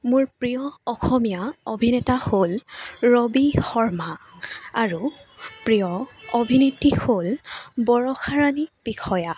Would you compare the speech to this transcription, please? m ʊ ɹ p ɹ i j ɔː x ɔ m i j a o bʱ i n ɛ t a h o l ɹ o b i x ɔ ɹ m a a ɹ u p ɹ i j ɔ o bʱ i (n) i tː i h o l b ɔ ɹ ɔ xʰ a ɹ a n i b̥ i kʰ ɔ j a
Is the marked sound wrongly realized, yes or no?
no